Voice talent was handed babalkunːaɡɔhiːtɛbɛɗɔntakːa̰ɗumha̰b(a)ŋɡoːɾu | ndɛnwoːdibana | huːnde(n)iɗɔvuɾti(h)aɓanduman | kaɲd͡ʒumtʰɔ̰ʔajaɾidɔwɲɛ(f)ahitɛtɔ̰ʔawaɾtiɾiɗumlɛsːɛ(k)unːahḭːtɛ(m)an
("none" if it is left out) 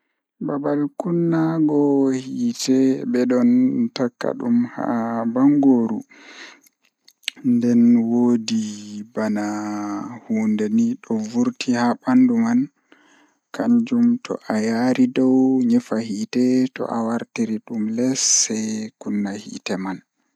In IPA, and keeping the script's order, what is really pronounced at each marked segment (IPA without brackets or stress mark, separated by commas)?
a, n, h, f, k, m